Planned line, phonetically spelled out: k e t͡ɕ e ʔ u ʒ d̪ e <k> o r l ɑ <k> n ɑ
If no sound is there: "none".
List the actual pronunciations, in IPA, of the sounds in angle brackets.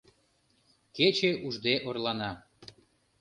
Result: ʔ, none

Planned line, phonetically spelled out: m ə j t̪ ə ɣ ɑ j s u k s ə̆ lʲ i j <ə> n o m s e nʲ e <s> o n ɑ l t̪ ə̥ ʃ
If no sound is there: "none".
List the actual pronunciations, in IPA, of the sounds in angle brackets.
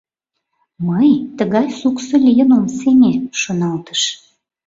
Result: ə, ʃ

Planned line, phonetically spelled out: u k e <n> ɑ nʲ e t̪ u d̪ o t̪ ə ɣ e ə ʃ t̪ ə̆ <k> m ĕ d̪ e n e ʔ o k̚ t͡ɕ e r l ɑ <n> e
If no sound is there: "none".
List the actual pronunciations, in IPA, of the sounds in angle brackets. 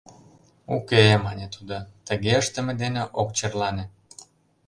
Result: m, none, n

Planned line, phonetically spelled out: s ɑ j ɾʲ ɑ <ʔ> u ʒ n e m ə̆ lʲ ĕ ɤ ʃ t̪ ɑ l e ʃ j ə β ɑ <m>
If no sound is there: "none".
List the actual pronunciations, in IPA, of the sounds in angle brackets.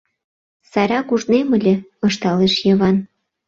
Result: k, n

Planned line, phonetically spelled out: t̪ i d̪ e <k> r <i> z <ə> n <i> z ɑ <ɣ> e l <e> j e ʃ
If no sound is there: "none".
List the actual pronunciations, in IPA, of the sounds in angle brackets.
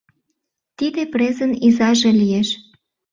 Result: p, e, ə, i, ʒ, i

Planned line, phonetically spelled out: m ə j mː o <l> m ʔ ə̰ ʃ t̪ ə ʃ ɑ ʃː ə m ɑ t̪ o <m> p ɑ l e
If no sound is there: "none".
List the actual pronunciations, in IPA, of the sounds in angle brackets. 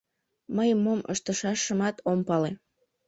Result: none, m

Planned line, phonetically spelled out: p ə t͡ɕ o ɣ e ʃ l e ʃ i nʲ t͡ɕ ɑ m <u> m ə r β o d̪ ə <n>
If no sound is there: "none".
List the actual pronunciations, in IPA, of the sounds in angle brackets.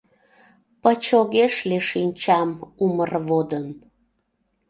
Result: u, n

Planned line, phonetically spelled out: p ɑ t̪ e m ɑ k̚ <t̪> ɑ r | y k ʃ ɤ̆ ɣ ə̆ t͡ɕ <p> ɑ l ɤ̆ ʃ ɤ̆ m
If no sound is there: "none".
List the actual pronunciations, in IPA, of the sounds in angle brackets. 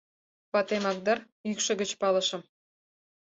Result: d̪, p

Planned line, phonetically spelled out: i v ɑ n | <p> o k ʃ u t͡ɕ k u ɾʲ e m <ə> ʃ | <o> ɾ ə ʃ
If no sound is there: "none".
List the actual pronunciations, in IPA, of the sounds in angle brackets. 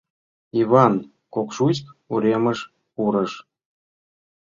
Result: k, ə, u

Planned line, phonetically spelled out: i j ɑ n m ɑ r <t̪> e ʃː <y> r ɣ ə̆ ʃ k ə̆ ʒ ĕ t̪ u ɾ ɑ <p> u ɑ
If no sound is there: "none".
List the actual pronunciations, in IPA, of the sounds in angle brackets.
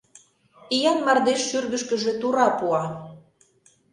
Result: d̪, y, p

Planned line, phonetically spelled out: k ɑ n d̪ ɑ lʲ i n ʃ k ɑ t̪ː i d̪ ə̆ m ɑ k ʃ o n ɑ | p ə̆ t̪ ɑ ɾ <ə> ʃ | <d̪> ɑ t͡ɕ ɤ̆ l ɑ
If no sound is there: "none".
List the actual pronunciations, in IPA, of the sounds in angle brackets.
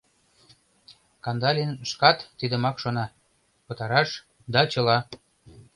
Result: ɑ, d̪

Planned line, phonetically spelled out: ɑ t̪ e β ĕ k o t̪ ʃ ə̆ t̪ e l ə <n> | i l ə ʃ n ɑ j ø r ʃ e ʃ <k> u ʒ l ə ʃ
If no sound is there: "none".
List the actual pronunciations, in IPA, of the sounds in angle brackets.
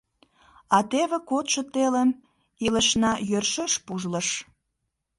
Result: m, p

